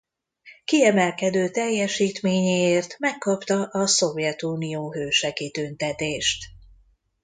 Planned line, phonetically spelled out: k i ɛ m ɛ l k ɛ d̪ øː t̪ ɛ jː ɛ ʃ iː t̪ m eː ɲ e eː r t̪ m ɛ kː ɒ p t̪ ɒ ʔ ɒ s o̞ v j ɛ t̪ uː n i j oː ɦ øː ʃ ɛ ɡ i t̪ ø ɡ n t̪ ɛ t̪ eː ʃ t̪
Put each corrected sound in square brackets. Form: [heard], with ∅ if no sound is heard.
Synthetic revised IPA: k i ɛ m ɛ l k ɛ d̪ øː t̪ ɛ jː ɛ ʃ iː t̪ m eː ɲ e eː r t̪ m ɛ kː ɒ p t̪ ɒ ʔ ɒ s o̞ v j ɛ t̪ uː n i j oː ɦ øː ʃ ɛ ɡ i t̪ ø [∅] n t̪ ɛ t̪ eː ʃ t̪

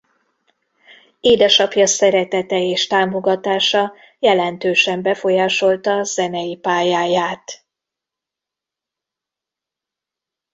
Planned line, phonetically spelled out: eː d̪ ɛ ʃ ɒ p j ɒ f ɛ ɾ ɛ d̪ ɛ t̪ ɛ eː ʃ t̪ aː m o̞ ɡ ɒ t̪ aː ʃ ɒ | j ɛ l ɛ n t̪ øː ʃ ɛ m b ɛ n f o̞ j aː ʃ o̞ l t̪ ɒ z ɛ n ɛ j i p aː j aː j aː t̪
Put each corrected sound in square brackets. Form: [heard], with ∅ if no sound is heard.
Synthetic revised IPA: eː d̪ ɛ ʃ ɒ p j ɒ [s] ɛ ɾ ɛ [t̪] ɛ t̪ ɛ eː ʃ t̪ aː m o̞ ɡ ɒ t̪ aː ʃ ɒ | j ɛ l ɛ n t̪ øː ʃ ɛ m b ɛ [∅] f o̞ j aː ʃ o̞ l t̪ ɒ z ɛ n ɛ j i p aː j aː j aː t̪

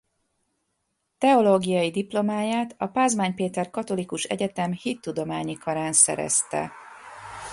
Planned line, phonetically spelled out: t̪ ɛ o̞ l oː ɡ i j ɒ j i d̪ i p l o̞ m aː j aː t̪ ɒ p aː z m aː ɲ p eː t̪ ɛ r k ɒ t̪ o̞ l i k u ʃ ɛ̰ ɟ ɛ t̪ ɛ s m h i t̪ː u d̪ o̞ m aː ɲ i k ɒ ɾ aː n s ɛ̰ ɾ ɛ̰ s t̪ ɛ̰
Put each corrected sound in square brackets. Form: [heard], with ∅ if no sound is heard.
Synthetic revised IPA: t̪ ɛ o̞ l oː ɡ i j ɒ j i d̪ i p l o̞ m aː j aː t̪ ɒ p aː z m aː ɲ p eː t̪ ɛ r k ɒ t̪ o̞ l i k u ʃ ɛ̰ ɟ ɛ t̪ ɛ [∅] m h i t̪ː u d̪ o̞ m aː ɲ i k ɒ ɾ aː n s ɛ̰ ɾ ɛ̰ s t̪ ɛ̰

